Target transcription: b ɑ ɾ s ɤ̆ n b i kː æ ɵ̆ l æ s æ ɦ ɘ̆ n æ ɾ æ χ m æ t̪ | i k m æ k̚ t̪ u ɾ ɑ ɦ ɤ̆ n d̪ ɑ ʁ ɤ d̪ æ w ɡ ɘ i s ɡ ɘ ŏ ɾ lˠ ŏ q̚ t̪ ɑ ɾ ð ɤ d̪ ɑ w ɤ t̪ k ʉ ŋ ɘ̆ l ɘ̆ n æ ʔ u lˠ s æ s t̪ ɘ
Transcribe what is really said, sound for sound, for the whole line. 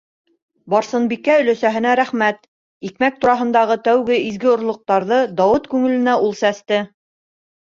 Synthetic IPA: b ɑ ɾ s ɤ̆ n b i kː æ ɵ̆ l æ s æ ɦ ɘ̆ n æ ɾ æ χ m æ t̪ | i k m æ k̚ t̪ u ɾ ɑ ɦ ɤ̆ n d̪ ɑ ʁ ɤ t̪ æ w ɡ ɘ i z ɡ ɘ ŏ ɾ lˠ ŏ q̚ t̪ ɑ ɾ ð ɤ d̪ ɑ w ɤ t̪ k ʉ ŋ ɘ̆ l ɘ̆ n æ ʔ u lˠ s æ s t̪ ɘ